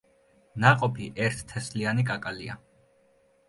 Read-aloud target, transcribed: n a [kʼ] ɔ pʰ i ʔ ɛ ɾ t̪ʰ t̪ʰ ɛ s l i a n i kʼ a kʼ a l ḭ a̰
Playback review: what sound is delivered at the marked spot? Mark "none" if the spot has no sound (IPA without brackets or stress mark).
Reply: qʼ